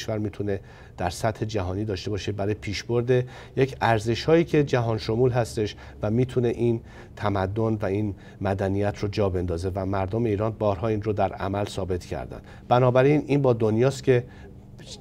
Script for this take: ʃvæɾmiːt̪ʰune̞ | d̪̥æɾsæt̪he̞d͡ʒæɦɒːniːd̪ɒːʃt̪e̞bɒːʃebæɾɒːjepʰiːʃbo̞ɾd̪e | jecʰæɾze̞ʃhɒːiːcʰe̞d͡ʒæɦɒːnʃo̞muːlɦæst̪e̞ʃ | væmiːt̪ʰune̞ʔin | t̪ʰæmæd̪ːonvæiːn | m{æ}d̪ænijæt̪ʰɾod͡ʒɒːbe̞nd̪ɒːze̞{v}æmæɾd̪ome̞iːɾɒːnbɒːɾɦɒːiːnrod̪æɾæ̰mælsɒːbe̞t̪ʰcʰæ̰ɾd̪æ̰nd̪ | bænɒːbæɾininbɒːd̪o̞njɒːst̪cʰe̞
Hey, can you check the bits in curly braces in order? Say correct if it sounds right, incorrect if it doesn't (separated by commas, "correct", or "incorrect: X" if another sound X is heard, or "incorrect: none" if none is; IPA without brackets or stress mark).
correct, correct